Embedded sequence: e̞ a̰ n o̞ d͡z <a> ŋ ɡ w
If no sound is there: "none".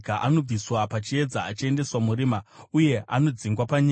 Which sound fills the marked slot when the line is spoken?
i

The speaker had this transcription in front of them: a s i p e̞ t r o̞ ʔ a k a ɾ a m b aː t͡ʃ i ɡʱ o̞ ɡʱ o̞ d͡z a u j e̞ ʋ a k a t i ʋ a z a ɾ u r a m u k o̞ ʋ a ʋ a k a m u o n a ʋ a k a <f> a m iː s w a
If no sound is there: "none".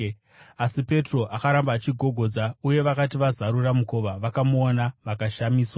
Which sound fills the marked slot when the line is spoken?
ʃ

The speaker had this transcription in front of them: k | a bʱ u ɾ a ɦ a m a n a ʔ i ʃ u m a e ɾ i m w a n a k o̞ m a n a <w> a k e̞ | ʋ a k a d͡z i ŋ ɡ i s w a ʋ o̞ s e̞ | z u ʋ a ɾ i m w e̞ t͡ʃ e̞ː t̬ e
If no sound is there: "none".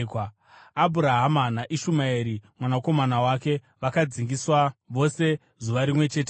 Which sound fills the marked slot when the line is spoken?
w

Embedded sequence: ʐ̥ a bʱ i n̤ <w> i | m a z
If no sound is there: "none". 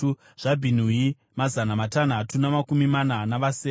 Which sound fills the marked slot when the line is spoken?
u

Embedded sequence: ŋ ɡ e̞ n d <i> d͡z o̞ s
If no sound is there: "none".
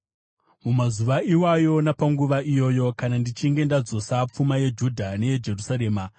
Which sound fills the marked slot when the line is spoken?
a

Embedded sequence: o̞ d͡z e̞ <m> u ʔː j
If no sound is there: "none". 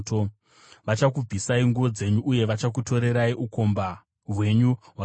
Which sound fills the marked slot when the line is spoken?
ɲ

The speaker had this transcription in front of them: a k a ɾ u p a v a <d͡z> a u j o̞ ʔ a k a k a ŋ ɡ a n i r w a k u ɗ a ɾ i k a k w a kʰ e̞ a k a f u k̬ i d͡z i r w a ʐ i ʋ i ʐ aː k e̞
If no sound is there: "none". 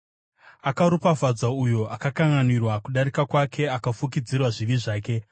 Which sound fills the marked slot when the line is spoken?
d͡z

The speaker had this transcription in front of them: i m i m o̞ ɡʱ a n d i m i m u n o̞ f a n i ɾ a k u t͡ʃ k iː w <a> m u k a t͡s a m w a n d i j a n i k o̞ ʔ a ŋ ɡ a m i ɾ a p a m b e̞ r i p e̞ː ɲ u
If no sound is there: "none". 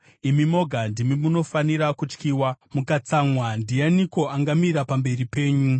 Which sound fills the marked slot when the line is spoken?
a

